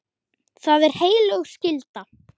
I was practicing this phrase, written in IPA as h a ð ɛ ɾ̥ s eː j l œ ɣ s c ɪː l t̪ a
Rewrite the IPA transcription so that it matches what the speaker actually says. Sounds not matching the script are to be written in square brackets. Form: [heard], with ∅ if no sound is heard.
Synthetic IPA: [θ] a ð ɛ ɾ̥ [h] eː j l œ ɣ s c [ɪ] l t̪ a